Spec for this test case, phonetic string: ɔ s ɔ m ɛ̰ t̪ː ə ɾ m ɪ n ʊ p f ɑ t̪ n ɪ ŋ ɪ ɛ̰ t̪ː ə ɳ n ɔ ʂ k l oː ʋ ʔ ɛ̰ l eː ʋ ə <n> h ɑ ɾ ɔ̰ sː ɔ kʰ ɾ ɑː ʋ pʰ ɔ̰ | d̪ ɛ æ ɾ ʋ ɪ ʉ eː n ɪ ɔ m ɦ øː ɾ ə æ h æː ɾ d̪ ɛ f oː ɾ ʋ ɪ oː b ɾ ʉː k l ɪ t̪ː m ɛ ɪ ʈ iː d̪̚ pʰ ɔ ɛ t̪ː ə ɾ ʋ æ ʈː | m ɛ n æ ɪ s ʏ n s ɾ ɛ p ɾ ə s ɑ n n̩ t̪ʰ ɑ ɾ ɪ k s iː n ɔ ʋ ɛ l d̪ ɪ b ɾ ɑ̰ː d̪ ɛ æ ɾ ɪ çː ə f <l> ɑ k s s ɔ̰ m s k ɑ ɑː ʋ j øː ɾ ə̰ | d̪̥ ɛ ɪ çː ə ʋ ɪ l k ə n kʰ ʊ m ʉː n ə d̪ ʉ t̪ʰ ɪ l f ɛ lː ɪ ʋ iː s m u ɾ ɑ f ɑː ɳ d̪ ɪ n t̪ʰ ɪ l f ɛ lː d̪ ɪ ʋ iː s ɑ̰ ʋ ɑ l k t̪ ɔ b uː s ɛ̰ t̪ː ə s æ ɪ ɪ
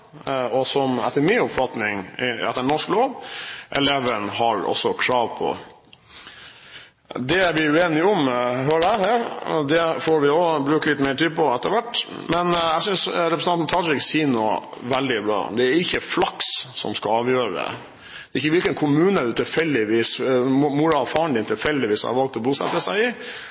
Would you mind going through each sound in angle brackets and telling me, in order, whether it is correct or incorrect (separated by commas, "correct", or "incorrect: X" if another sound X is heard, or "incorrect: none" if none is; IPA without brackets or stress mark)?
correct, correct